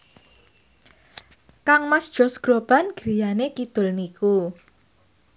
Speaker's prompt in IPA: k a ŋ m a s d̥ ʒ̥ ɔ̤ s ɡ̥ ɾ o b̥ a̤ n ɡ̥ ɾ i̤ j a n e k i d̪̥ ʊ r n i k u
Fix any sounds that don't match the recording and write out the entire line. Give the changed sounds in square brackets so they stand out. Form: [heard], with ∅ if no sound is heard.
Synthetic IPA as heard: k a ŋ m a s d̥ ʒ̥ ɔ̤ s ɡ̥ ɾ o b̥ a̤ n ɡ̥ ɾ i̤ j a n e k i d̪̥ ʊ [l] n i k u